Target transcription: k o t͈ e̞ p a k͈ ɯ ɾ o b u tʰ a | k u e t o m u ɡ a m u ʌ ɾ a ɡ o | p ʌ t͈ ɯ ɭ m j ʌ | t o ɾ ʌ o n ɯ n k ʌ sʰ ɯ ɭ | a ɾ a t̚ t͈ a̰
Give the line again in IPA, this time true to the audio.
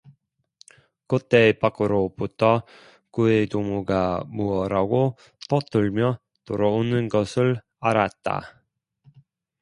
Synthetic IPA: k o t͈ e̞ p a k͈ ɯ ɾ o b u tʰ ʌ | k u e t o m u ɡ a m u ʌ ɾ a ɡ o | t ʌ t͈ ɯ ɭ m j ʌ | t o ɾ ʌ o n ɯ n ɡ ʌ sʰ ɯ ɭ | a ɾ a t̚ t͈ a̰